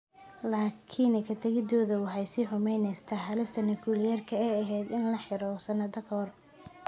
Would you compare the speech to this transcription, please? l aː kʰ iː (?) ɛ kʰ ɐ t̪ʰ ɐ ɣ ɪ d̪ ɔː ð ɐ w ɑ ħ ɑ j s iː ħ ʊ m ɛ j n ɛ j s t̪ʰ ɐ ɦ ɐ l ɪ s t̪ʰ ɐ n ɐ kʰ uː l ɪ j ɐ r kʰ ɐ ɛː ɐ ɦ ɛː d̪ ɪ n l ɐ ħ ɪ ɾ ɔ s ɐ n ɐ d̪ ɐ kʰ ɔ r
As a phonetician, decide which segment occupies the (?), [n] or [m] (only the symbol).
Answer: n